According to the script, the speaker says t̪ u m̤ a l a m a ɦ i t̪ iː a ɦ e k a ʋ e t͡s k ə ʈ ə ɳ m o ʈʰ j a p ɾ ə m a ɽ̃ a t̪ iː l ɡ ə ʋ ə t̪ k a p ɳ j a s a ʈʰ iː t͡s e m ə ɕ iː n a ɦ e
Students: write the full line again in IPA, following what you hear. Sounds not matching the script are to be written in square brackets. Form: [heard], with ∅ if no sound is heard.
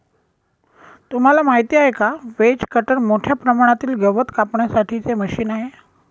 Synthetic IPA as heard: t̪ u m̤ a l a m a ɦ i t̪ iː a ɦ e k a ʋ e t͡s k ə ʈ ə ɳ m o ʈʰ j a p ɾ ə m a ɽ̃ a t̪ iː l ɡ ə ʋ ə t̪ k a p ɳ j a s a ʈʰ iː t͡s e m ə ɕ iː n a ɦ e

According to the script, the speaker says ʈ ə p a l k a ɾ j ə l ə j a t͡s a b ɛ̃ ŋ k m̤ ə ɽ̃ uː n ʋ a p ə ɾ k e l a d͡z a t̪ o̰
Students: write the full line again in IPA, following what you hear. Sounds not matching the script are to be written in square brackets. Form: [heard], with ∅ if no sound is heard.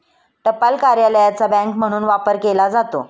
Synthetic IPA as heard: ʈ ə p a l k a ɾ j [a] l ə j a t͡s a b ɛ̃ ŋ k m̤ ə ɽ̃ uː n ʋ a p ə ɾ k e l a d͡z a t̪ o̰

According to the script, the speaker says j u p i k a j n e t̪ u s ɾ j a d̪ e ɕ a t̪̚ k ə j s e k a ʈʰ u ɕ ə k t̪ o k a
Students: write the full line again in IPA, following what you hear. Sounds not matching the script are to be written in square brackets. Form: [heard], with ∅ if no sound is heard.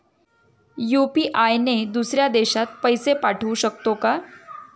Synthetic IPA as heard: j u p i [ʔ] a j n e [d̪] u s ɾ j a d̪ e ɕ a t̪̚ [p] ə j s e [p] a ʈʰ u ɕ ə k t̪ o k a

